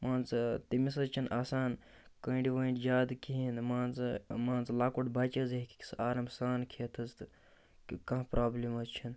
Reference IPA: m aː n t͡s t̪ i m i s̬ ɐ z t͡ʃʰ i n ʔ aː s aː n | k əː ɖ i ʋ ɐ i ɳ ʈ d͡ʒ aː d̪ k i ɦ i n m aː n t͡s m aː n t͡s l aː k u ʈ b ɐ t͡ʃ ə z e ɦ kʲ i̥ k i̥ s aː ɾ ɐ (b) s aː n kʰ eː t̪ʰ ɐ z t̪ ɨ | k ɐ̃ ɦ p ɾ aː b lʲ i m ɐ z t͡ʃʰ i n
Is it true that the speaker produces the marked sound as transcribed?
no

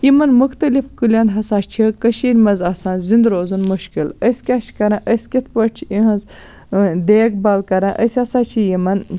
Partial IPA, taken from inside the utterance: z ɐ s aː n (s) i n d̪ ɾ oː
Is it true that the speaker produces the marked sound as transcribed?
no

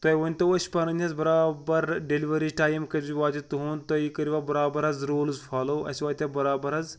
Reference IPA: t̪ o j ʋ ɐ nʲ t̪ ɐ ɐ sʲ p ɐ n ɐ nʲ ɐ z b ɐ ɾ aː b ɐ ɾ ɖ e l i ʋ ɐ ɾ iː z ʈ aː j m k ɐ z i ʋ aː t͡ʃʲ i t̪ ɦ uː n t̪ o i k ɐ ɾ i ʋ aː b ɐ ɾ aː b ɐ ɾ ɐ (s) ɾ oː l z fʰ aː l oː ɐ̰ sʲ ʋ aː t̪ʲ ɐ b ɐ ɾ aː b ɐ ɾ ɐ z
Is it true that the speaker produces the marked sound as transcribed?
no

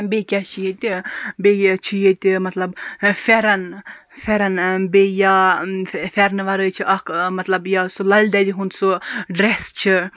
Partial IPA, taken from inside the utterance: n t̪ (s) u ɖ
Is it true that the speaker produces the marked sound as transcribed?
yes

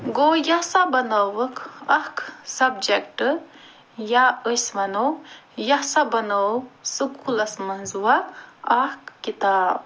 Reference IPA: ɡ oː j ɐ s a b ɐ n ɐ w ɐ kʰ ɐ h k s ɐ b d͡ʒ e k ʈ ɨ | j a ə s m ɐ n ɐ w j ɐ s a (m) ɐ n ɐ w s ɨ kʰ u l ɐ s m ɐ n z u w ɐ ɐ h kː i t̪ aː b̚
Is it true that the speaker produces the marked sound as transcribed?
no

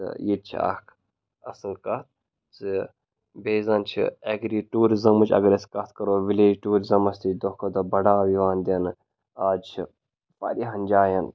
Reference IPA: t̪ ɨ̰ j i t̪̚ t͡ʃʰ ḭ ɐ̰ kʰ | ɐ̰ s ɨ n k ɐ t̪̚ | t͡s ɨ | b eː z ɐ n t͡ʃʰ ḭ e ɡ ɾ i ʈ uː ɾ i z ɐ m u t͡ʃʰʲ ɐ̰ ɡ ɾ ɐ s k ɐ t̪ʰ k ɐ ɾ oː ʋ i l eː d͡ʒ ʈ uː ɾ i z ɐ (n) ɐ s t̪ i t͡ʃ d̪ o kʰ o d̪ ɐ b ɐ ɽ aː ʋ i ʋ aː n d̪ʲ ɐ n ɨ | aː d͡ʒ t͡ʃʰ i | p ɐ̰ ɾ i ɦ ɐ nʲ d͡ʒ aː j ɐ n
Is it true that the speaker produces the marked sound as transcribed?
no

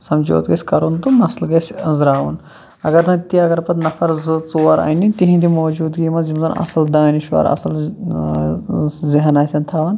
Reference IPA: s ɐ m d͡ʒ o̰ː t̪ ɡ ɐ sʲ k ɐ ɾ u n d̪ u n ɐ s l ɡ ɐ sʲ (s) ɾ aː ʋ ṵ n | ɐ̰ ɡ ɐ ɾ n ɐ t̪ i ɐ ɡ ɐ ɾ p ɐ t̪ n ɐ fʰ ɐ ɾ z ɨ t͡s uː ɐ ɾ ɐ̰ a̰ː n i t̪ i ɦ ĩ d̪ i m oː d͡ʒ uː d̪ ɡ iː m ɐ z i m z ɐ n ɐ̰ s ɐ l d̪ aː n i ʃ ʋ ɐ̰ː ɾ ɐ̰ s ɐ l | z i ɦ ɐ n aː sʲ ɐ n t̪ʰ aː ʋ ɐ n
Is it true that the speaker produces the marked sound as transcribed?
no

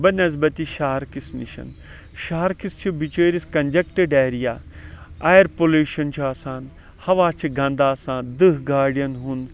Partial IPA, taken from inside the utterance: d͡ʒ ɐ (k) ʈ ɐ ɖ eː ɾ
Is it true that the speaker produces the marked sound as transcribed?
yes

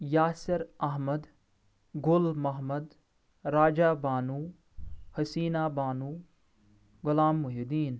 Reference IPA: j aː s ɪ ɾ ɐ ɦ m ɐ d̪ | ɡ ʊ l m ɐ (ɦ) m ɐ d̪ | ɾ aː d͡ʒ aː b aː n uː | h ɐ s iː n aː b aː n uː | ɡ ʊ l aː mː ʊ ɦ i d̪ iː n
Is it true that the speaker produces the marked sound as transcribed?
yes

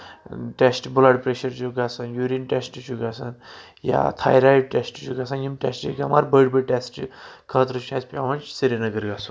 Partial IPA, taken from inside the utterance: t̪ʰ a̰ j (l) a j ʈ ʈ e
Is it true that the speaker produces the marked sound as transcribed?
no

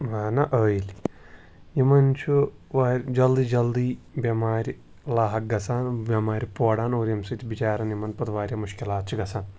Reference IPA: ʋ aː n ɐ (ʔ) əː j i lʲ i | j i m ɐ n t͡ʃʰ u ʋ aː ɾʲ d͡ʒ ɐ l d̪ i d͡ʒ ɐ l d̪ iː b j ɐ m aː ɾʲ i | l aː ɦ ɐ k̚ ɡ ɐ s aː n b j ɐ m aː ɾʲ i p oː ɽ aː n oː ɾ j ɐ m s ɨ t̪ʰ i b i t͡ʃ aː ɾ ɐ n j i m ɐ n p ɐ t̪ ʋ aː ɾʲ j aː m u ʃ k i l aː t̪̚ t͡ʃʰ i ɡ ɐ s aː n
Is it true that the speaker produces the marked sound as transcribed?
yes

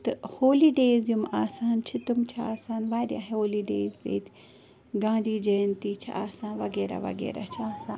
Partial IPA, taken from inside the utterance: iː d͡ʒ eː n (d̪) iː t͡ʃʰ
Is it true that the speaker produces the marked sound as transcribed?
no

